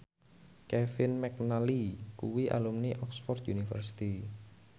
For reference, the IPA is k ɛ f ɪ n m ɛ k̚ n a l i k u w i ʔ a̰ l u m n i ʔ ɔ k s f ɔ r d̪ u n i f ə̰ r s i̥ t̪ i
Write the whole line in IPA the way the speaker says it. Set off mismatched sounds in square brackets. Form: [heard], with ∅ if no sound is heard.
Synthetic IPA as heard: k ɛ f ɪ n m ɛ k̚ n a l i k u w i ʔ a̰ l u m n i ʔ ɔ k s f ɔ r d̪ u n i f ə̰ r s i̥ t̪ i